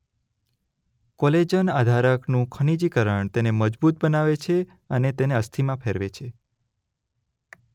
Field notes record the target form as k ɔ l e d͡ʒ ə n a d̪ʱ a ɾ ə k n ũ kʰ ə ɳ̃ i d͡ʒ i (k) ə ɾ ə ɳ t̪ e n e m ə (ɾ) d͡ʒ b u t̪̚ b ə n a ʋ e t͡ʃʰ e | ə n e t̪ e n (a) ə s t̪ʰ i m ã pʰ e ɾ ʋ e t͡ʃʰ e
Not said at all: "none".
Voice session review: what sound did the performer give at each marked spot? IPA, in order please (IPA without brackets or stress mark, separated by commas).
k, none, e